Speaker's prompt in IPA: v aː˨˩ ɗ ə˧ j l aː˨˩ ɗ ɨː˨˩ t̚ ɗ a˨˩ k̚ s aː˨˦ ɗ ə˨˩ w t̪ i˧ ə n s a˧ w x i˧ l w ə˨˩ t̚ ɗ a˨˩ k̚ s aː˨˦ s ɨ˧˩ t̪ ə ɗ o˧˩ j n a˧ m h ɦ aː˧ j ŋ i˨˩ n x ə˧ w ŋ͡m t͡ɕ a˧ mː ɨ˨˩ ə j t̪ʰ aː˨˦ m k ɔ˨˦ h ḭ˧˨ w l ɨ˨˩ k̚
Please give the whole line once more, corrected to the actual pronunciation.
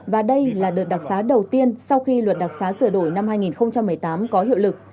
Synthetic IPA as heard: v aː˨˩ ɗ ə˧ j l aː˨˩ ɗ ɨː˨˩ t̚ ɗ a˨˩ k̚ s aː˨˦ ɗ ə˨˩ w t̪ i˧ ə n s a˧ w x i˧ l w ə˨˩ t̚ ɗ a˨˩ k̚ s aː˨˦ s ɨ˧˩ ə ɗ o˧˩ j n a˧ m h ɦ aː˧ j ŋ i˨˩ n x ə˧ w ŋ͡m t͡ɕ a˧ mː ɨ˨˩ ə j t̪ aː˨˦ m k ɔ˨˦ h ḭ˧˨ w l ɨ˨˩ k̚